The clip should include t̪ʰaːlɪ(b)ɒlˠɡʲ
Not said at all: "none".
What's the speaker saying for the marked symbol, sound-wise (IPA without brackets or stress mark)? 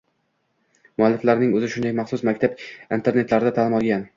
m